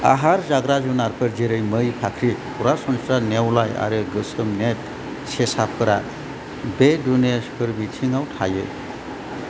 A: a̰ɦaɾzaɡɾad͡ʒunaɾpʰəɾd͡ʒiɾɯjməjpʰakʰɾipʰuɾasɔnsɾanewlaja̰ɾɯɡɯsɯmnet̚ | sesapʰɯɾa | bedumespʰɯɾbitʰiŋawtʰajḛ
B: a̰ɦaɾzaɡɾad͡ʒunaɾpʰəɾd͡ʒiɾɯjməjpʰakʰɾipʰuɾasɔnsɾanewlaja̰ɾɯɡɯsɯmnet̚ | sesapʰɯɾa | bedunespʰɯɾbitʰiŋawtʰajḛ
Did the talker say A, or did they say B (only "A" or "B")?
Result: B